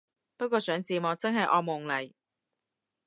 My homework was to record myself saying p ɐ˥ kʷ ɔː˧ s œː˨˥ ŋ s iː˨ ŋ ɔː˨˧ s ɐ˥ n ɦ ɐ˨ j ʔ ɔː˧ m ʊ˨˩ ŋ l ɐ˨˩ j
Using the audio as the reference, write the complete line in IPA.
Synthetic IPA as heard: p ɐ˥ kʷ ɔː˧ s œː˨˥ ŋ t͡s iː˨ m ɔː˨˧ t͡s ɐ˥ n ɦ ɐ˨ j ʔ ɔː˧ m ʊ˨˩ ŋ l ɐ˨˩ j

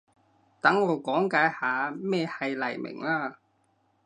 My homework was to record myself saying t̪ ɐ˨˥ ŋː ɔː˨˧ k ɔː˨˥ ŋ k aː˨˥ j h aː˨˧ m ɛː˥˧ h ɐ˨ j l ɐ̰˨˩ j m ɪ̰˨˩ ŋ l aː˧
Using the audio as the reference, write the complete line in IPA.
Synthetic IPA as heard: t̪ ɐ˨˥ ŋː ɔː˨˧ k ɔː˨˥ ŋ k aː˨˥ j h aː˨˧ m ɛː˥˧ h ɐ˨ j l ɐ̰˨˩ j m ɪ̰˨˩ ŋ l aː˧

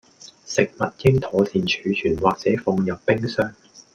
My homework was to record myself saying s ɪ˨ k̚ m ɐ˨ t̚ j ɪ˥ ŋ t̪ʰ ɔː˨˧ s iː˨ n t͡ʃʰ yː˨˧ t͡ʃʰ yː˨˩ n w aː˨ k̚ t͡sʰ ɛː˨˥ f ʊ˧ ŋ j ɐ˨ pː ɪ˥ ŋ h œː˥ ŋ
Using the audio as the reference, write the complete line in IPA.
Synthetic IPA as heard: s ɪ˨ k̚ m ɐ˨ t̚ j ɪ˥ ŋ t̪ʰ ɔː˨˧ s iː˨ n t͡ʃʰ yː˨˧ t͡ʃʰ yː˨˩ n w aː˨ k̚ t͡s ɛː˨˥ f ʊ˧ ŋ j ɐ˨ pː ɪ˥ ŋ s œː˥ ŋ

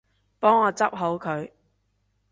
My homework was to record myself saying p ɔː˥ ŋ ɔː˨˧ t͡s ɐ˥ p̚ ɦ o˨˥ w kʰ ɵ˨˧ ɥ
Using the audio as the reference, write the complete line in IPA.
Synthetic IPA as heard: p ɔː˥ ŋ ɔː˨˧ t͡s ɐ˥ p̚ ɦ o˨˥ w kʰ ɵ˨˧ ɥ

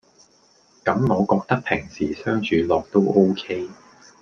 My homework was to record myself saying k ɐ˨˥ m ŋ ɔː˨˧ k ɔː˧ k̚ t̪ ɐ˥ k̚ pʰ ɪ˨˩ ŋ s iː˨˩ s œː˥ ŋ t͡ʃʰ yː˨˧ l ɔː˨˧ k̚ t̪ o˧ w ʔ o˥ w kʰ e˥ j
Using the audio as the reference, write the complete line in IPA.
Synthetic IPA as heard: k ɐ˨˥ m ŋ ɔː˨˧ k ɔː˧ k̚ t̪ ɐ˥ k̚ pʰ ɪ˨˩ ŋ s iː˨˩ s œː˥ ŋ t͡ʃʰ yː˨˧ l ɔː˨˧ k̚ t̪ o˥ w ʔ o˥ w kʰ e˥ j

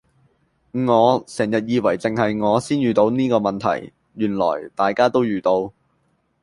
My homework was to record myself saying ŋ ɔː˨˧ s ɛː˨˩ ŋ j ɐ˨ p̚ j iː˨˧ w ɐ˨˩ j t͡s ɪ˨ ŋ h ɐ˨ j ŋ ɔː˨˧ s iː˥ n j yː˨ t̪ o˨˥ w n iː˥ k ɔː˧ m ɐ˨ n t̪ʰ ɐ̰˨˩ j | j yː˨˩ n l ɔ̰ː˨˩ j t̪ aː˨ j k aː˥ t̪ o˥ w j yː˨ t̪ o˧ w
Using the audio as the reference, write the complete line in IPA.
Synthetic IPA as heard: ŋ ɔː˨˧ s ɛː˨˩ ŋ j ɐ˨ t̚ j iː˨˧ w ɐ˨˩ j t͡s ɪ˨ ŋ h ɐ˨ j ŋ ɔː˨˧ s iː˥ n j yː˨ t̪ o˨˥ w n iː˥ k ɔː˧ m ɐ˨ n t̪ʰ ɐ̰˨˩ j | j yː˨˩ n l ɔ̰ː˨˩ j t̪ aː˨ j k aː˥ t̪ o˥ w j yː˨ t̪ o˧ w

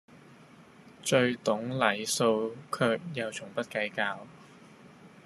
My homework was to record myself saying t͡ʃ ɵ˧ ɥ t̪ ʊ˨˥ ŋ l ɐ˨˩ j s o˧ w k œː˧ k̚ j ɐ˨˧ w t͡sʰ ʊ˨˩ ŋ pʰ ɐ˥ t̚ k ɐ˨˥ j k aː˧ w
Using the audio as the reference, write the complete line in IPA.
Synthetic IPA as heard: t͡ʃ ɵ˧ ɥ t̪ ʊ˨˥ ŋ l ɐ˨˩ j s o˧ w kʰ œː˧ k̚ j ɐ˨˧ w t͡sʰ ʊ˨˩ ŋ p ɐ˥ t̚ k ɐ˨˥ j k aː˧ w

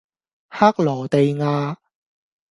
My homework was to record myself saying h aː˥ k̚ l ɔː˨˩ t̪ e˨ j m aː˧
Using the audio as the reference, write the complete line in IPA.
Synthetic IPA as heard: h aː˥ k̚ l ɔː˨˩ t̪ e˨ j ŋ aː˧

